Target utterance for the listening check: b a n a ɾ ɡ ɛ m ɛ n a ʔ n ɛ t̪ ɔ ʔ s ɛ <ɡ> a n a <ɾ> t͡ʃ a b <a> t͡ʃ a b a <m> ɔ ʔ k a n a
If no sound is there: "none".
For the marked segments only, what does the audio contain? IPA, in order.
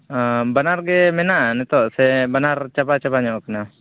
b, ɾ, a, ɲ

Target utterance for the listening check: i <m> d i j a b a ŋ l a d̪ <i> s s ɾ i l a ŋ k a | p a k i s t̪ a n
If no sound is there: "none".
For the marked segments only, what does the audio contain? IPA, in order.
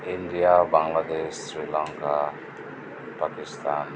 n, e

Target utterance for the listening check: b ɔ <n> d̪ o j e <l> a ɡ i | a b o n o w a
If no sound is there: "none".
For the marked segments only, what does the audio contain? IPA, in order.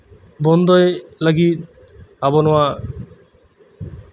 n, l

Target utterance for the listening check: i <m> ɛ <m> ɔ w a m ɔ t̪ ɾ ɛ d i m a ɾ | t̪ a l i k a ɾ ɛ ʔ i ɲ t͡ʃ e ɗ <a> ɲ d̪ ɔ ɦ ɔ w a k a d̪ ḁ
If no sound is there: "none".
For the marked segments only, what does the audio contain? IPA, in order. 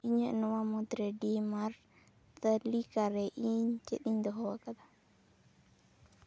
ɲ, n, i

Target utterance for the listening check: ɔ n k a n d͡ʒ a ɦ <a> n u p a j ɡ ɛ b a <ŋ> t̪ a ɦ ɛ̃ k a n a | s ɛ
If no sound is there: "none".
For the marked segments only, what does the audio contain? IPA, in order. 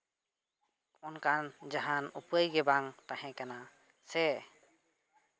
a, ŋ

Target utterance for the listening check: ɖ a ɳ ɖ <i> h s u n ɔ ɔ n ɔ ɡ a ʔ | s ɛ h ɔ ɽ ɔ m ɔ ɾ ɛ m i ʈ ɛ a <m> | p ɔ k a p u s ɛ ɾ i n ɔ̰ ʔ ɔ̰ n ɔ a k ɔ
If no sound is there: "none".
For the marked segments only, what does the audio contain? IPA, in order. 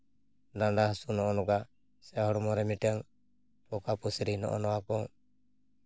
a, ŋ

